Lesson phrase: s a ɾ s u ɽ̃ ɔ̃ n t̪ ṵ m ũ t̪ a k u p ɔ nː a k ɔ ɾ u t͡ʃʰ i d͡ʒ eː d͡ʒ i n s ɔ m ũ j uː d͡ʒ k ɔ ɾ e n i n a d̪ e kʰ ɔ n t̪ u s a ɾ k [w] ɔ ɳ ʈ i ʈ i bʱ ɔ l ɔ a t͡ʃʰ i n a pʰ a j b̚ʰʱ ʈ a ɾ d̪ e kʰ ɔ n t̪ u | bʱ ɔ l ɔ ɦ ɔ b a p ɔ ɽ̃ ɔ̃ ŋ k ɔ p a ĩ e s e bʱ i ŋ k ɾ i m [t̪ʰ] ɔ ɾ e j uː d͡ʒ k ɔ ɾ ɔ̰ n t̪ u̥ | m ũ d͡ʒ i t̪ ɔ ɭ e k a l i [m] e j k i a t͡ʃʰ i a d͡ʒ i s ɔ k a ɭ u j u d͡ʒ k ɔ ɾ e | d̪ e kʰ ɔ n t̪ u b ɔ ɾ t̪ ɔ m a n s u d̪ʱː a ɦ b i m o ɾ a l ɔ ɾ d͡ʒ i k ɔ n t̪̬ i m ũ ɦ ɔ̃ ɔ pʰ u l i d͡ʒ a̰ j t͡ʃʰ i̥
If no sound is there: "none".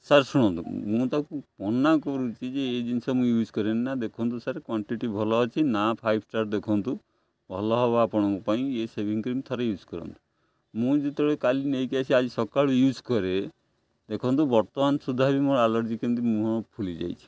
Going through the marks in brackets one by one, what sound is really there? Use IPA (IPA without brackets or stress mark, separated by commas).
w, t̪ʰ, n